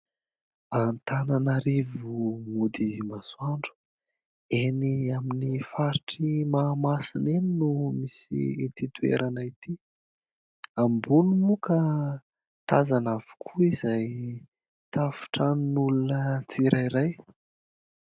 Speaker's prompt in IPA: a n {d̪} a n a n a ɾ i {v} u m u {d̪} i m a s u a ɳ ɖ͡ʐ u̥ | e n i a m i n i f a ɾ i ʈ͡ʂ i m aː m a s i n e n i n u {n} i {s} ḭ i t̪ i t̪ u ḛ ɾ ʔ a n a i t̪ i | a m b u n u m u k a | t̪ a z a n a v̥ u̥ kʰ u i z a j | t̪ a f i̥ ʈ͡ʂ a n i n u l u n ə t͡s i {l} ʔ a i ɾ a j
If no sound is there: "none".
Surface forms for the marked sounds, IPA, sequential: t̪, v, d̪, m, s, ɾ

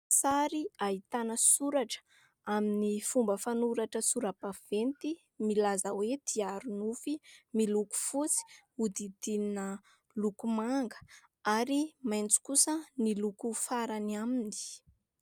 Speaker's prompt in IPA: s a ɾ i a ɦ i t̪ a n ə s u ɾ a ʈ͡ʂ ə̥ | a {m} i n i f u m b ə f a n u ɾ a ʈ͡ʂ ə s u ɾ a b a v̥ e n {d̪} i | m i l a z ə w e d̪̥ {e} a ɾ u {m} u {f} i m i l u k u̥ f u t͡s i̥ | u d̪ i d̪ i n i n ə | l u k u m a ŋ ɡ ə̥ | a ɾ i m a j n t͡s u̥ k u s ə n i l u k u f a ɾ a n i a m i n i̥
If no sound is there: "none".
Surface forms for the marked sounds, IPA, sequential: m, t̪, i, n, f

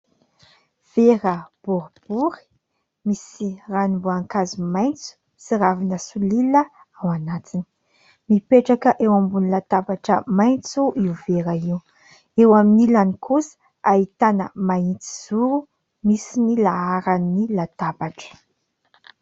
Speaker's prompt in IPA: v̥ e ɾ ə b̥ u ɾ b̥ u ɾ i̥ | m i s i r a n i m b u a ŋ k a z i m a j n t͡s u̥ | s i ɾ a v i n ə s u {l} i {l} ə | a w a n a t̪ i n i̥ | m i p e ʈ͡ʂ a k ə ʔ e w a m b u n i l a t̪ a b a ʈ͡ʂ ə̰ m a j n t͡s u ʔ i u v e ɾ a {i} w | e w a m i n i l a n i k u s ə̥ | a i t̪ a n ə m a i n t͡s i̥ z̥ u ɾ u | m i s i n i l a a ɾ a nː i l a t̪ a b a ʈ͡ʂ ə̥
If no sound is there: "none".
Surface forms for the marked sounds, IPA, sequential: l, l, i

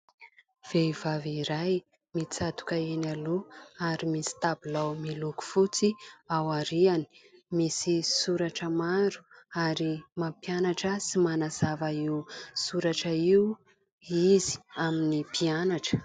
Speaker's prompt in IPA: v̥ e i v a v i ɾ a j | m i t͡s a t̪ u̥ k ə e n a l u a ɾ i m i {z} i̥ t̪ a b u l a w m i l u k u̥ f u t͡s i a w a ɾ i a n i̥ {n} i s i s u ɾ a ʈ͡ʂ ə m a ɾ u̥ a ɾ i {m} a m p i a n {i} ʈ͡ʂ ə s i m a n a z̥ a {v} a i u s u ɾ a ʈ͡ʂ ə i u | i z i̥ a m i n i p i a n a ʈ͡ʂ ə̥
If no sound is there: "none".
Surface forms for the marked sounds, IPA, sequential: s, m, m, a, v

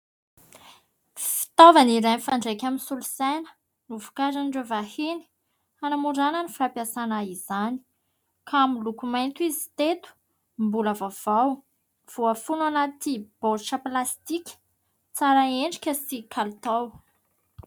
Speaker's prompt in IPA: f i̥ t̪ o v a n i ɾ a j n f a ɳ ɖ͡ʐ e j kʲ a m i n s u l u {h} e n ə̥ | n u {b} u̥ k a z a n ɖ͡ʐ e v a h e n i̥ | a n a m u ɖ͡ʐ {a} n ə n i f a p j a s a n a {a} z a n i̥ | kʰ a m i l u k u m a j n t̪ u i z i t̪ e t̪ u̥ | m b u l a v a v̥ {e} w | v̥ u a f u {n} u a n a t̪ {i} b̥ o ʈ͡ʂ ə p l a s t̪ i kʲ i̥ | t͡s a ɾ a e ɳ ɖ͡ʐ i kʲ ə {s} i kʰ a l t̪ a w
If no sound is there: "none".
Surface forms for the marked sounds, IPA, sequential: s, v, a, i, a, n, i, s

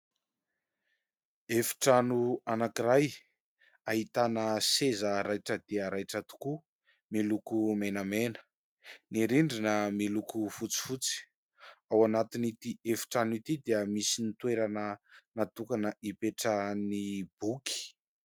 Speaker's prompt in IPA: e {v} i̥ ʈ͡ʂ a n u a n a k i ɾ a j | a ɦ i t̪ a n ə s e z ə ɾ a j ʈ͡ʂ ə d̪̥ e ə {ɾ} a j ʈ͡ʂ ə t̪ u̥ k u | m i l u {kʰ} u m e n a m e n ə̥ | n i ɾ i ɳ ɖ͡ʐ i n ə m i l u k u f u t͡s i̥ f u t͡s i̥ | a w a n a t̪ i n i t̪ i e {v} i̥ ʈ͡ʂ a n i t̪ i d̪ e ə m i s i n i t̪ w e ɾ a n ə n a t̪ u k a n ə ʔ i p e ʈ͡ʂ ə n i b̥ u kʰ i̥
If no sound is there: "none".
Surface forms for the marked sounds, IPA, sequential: f, ɾ, k, f

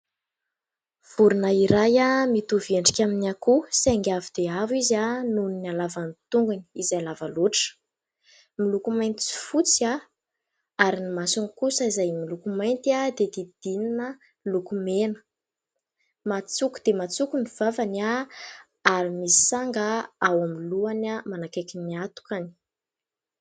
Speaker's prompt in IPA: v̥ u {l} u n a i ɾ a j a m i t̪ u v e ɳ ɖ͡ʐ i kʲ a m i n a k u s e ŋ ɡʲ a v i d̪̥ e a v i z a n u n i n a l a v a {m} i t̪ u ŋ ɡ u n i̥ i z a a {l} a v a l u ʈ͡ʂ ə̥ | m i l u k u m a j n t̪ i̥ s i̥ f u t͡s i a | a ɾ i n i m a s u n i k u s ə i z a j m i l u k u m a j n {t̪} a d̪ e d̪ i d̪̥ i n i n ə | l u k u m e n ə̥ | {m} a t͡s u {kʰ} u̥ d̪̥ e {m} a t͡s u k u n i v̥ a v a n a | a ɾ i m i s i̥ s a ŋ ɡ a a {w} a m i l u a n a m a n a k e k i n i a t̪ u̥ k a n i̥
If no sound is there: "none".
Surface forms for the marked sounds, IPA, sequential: ɾ, n, l, t̪, m, k, m, w

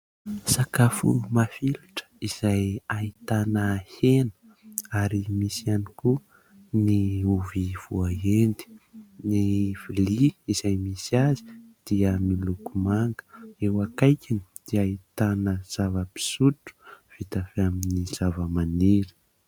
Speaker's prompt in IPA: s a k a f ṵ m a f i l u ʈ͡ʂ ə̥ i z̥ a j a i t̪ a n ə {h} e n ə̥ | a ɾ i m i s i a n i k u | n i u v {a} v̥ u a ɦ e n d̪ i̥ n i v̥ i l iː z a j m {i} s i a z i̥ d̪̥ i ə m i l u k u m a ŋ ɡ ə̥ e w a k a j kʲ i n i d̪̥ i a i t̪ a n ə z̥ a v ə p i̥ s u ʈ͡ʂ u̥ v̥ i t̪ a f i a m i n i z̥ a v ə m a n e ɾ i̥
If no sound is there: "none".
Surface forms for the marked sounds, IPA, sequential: h, i, i

